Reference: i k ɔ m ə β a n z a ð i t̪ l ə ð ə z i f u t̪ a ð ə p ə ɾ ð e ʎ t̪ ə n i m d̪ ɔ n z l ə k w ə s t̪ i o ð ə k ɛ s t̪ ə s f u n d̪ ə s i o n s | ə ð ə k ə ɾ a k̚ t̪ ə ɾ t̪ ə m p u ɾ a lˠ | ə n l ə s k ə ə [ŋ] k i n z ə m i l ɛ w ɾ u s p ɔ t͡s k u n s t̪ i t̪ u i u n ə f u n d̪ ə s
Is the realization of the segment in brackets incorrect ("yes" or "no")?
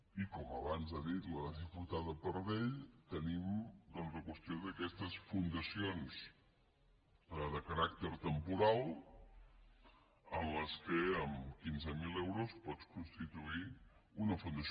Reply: yes